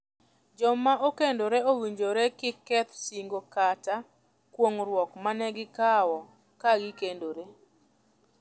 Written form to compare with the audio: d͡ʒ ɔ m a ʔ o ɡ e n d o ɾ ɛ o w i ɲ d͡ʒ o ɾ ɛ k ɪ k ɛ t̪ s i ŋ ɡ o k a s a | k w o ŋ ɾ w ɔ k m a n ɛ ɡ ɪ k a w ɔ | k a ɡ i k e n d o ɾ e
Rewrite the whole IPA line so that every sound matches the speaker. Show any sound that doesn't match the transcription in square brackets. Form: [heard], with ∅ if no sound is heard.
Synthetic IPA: d͡ʒ ɔ m a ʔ o [k] e n d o ɾ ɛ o w i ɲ d͡ʒ o ɾ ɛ k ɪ k ɛ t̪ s i ŋ ɡ o k a [t] a | k w o ŋ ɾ w ɔ k m a n ɛ ɡ ɪ k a w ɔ | k a ɡ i k e n d o ɾ e